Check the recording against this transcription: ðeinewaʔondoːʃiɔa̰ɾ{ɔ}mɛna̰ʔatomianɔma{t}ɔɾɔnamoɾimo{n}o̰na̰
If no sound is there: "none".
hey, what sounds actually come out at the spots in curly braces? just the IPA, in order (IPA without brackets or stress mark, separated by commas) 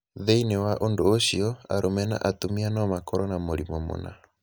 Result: o, k, m